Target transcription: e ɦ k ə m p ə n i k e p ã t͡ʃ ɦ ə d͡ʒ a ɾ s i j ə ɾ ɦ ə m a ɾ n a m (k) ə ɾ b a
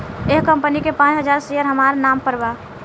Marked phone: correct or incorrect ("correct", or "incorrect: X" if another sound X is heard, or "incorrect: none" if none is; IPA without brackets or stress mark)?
incorrect: p